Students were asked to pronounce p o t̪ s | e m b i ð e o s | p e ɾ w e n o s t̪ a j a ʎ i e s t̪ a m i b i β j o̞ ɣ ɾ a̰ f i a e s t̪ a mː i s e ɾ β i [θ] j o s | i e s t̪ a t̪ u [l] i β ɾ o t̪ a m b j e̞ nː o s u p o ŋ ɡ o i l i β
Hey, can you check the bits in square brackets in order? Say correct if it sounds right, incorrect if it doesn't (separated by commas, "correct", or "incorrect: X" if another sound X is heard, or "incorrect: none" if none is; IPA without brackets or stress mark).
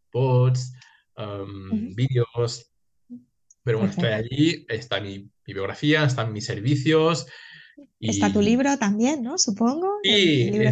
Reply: correct, correct